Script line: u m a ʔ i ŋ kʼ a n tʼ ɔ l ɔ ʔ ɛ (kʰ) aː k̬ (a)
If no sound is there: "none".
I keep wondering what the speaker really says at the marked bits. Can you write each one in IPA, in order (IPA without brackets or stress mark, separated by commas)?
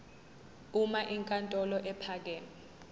pʰ, ɛ